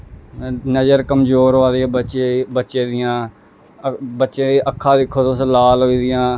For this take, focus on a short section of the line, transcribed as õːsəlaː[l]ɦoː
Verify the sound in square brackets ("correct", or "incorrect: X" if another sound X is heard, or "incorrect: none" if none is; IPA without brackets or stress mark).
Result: correct